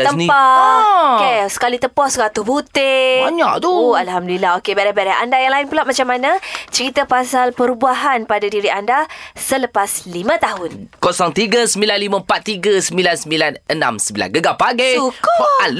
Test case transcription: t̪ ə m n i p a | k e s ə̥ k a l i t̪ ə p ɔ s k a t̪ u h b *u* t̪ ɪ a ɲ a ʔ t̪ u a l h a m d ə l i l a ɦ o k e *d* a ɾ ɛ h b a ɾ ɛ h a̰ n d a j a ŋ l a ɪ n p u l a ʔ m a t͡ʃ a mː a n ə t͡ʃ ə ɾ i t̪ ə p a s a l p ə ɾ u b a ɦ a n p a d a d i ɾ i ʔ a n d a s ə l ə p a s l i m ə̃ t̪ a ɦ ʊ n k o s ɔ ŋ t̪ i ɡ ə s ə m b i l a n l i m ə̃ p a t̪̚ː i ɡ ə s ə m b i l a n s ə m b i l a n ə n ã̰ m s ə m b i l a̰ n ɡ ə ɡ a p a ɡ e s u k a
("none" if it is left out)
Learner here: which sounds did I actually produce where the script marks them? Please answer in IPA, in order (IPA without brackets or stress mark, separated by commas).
u, b